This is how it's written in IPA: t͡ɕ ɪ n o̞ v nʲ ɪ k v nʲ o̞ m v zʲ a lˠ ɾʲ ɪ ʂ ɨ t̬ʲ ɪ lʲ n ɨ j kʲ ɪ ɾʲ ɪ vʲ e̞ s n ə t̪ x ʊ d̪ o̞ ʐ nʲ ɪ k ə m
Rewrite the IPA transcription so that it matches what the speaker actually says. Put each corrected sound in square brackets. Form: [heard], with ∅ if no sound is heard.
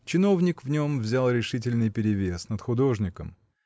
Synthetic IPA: t͡ɕ ɪ n o̞ v nʲ ɪ k v nʲ o̞ m v zʲ a lˠ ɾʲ ɪ ʂ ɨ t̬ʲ ɪ lʲ n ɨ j [pʲ] ɪ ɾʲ ɪ vʲ e̞ s n ə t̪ x ʊ d̪ o̞ ʐ nʲ ɪ k ə m